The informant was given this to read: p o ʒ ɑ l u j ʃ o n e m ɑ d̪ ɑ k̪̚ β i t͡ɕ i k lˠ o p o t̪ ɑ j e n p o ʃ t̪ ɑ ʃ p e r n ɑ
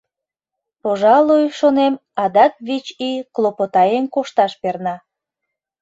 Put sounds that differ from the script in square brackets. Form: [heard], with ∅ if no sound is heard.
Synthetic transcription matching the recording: p o ʒ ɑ l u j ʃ o n e m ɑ d̪ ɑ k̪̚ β i t͡ɕ i k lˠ o p o t̪ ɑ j e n [k] o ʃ t̪ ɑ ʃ p e r n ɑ